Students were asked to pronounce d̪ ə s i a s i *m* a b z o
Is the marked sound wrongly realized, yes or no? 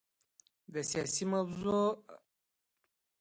no